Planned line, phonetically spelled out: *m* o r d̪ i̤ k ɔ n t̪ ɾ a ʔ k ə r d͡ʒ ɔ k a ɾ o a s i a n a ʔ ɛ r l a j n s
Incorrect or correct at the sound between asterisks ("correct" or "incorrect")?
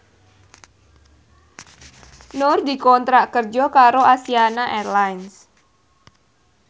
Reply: incorrect